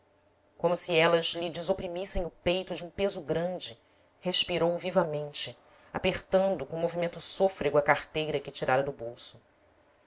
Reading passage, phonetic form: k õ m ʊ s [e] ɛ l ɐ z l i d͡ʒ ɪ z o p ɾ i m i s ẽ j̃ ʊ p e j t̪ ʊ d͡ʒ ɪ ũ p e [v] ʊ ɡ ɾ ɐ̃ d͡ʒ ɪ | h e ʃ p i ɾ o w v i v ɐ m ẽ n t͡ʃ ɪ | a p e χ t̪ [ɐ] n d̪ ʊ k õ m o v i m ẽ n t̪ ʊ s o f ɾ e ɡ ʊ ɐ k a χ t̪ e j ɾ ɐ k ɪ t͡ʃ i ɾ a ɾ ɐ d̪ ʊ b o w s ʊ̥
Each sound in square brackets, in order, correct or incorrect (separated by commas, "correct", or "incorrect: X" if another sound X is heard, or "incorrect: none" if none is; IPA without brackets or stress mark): incorrect: i, incorrect: z, incorrect: ɐ̃